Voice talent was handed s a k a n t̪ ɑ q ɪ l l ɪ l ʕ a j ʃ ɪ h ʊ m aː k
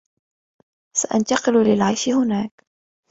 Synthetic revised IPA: s a ʔ a n t̪ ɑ q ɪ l l ɪ l ʕ a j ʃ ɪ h ʊ n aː k